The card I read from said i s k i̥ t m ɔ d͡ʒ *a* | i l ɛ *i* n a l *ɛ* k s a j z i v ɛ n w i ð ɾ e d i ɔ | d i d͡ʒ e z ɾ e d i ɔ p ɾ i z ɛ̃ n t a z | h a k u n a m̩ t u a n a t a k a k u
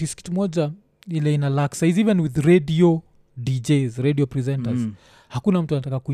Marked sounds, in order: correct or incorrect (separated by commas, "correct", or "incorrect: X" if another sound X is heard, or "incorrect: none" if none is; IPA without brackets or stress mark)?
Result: correct, correct, incorrect: a